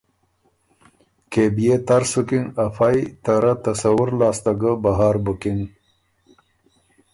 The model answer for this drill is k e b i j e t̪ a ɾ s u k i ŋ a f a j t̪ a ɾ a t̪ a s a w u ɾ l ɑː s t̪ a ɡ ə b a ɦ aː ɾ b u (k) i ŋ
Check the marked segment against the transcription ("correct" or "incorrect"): correct